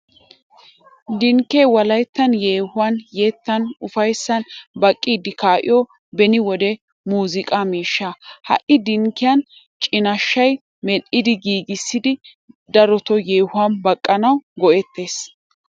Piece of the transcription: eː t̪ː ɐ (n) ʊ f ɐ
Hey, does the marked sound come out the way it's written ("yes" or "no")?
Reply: yes